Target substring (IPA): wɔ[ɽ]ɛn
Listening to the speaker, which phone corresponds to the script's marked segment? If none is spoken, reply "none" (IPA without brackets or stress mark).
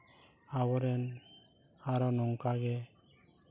ɾ